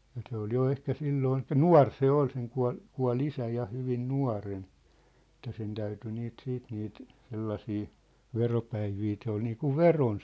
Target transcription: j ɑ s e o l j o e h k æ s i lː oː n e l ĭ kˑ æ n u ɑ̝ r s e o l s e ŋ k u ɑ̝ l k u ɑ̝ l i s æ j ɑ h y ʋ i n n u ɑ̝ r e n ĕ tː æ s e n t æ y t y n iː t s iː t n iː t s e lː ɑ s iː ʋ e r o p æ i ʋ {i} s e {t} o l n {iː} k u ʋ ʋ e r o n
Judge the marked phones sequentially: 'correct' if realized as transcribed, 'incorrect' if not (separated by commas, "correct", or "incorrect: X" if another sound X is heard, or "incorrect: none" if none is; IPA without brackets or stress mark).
incorrect: iː, incorrect: none, correct